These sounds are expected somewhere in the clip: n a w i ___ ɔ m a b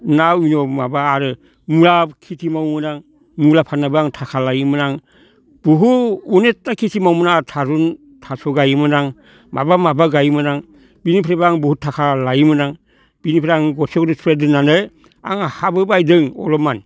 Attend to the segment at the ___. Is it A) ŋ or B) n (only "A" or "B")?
B